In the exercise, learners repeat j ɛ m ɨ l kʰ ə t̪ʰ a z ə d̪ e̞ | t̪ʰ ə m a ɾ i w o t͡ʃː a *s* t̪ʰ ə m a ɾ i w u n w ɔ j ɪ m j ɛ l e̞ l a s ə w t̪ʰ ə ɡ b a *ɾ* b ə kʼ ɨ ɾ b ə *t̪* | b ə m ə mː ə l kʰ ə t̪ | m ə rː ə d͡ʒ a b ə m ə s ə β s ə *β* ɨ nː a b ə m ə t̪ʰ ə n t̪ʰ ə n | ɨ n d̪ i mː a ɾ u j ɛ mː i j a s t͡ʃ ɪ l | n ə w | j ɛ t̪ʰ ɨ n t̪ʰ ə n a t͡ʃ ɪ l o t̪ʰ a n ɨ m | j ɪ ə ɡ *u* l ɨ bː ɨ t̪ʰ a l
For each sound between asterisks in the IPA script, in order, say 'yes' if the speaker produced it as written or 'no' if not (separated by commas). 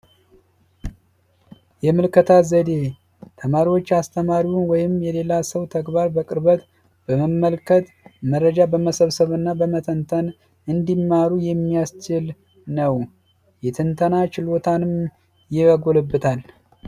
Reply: yes, yes, yes, yes, no